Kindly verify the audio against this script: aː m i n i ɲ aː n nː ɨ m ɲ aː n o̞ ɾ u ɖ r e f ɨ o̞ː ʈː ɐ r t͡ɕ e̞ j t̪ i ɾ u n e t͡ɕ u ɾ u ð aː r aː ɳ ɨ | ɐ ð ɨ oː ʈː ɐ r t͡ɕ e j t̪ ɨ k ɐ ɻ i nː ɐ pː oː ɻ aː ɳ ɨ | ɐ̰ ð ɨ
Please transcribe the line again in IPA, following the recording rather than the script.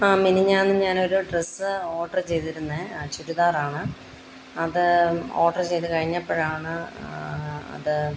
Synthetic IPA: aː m i n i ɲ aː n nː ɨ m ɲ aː n o̞ ɾ u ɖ r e s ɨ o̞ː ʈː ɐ r t͡ɕ e̞ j t̪ i ɾ u nː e t͡ɕ u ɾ u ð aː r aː ɳ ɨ | ɐ ð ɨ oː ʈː ɐ r t͡ɕ e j t̪ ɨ k ɐ ɻ i ɲː ɐ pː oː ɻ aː ɳ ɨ | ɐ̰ ð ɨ

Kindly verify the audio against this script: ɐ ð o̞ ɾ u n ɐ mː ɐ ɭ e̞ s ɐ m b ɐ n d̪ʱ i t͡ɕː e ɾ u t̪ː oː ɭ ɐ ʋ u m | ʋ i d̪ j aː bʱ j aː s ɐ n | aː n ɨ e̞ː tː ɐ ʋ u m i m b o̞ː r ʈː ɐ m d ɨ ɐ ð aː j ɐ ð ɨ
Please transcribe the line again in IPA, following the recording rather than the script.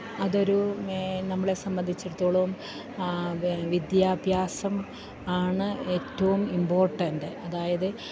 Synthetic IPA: ɐ ð o̞ ɾ u n ɐ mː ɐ ɭ e̞ s ɐ m b ɐ n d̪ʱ i t͡ɕː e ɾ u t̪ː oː ɭ ɐ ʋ u m | ʋ i d̪ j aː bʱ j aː s ɐ m | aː ɳ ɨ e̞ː tː ɐ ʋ u m i m b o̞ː r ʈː ɐ n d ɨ ɐ ð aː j ɐ ð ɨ

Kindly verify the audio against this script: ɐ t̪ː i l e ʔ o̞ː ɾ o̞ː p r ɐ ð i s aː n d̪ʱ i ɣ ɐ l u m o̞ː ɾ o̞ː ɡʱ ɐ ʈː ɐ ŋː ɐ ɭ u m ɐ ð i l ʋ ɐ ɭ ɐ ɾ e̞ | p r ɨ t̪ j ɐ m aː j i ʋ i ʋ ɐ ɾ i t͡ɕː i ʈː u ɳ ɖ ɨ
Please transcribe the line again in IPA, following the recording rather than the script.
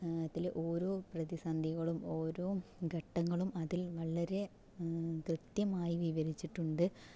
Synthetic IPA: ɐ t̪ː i l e ʔ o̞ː ɾ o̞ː p r ɐ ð i s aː n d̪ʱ i ɣ ɐ ɭ u m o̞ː ɾ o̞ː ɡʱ ɐ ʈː ɐ ŋː ɐ ɭ u m ɐ ð i l ʋ ɐ ɭ ɐ ɾ e̞ | k r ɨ t̪ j ɐ m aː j i ʋ i ʋ ɐ ɾ i t͡ɕː i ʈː u ɳ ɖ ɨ

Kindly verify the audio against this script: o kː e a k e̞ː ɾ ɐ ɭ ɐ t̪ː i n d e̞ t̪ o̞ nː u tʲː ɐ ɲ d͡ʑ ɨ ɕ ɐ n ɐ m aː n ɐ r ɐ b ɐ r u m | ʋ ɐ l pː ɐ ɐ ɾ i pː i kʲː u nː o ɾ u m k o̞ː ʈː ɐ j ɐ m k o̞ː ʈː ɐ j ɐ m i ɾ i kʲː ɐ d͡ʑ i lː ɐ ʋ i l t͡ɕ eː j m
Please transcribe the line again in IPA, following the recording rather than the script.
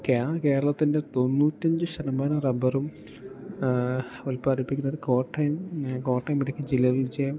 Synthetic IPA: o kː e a k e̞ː ɾ ɐ ɭ ɐ t̪ː i n d e̞ t̪ o̞ nː uː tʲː ɐ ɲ d͡ʑ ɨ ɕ ɐ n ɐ m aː n ɐ r ɐ b ɐ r u m | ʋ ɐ l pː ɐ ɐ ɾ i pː i kʲː u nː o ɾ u k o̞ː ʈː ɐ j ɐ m k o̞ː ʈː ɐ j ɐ m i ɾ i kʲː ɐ d͡ʑ i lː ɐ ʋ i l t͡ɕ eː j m

